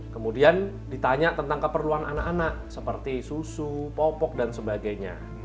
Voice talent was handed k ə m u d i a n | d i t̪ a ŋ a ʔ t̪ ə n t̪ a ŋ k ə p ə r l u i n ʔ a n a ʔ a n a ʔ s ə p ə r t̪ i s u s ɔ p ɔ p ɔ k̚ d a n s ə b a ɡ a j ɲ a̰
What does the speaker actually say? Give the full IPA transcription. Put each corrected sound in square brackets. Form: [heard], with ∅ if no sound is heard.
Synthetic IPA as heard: k ə m u d i a n | d i t̪ a [ɲ] a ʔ t̪ ə n t̪ a ŋ k ə p ə r l u [a] n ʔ a n a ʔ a n a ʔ s ə p ə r t̪ i s u s [u] p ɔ p ɔ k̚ d a n s ə b a ɡ a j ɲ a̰

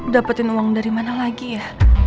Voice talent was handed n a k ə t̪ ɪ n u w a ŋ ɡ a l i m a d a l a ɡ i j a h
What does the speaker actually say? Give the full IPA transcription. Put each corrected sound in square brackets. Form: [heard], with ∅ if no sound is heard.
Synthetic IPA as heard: [d] a [p] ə t̪ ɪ n u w a ŋ [d] a [ɾ] i m a [n] a l a ɡ i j a h

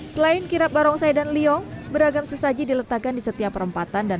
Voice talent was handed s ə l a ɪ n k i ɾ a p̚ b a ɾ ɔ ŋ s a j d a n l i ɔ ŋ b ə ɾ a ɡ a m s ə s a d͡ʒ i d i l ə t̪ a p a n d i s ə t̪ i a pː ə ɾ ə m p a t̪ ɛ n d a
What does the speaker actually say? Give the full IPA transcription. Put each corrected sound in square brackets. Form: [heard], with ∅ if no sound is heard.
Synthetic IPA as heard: s ə l a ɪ n k i ɾ a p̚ b a ɾ ɔ ŋ s a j d a n l i ɔ ŋ b ə ɾ a ɡ a m s ə s a d͡ʒ i d i l ə t̪ a [k] a n d i s ə t̪ i a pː ə ɾ ə m p a t̪ [a] n d a

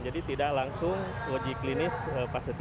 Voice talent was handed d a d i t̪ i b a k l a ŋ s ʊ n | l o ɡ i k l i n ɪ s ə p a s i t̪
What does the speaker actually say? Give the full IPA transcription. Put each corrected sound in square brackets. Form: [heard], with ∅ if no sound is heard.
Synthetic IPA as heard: [d͡ʒ] a d i t̪ i [d] a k l a ŋ s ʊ [ŋ] | l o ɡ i k l i n ɪ s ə p a s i t̪

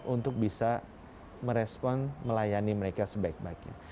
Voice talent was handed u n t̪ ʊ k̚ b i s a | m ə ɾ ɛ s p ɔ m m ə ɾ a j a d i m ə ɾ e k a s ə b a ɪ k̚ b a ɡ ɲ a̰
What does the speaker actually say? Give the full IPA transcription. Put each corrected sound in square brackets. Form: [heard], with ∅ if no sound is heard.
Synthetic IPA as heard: u n t̪ ʊ k̚ b i s a | m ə ɾ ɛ s p ɔ [n] m ə [l] a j a [n] i m ə ɾ e k a s ə b a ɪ k̚ b a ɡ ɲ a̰

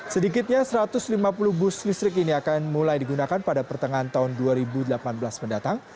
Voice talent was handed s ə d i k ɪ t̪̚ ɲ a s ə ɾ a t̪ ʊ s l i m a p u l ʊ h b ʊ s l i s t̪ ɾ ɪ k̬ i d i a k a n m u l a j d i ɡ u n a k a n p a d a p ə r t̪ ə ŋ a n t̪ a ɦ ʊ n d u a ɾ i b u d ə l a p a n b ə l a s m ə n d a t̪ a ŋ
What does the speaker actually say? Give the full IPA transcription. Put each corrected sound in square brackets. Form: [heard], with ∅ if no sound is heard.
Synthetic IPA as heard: s ə d i k ɪ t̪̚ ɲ a s ə ɾ a t̪ ʊ s l i m a p u l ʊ h b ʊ s l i s t̪ ɾ ɪ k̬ i [n] i a k a n m u l a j d i ɡ u n a k a n p a d a p ə r t̪ ə ŋ a n t̪ a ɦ ʊ n d u a ɾ i b u d ə l a p a n b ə l a s m ə n d a t̪ a ŋ

